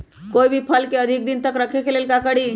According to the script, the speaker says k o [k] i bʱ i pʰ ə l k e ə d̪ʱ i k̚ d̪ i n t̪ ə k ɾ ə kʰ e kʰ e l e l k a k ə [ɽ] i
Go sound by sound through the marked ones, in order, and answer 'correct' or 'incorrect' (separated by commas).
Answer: incorrect, correct